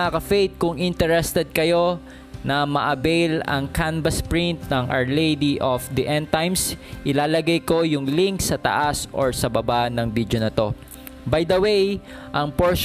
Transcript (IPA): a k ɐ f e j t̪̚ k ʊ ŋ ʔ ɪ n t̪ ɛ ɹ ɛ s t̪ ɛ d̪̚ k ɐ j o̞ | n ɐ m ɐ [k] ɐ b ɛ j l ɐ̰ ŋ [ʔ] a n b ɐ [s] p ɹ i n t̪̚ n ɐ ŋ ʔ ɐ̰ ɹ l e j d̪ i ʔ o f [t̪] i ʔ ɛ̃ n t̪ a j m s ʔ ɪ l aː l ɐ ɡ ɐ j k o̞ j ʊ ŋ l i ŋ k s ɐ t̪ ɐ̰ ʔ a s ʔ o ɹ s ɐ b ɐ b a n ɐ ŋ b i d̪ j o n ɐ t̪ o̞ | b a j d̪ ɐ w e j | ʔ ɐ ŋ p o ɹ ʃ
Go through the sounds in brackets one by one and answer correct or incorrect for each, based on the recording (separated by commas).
incorrect, incorrect, correct, incorrect